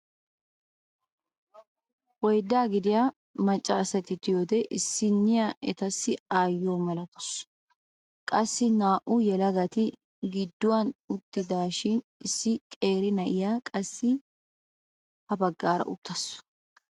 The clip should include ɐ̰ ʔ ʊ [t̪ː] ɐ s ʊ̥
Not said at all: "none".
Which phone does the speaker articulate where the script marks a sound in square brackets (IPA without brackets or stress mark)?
t̪ː